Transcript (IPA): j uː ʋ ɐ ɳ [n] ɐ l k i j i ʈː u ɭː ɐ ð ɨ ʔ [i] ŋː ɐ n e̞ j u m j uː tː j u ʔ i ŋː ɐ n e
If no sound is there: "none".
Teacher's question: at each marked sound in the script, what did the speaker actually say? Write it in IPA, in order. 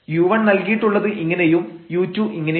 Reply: n, i

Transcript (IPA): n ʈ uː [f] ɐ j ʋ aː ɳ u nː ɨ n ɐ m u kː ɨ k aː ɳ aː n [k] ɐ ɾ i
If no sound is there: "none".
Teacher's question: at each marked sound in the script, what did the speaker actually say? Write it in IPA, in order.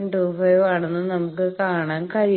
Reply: f, k

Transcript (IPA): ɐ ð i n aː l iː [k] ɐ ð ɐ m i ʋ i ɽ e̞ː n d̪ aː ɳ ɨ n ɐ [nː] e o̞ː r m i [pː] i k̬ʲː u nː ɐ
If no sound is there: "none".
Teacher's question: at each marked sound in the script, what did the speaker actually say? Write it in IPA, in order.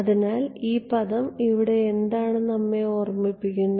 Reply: p, mː, pː

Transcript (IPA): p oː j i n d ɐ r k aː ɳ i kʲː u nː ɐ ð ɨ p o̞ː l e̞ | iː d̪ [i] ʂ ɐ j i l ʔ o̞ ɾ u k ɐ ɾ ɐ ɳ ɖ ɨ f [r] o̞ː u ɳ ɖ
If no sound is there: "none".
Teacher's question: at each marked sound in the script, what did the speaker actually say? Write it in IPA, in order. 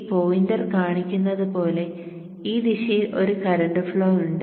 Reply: i, ɭ

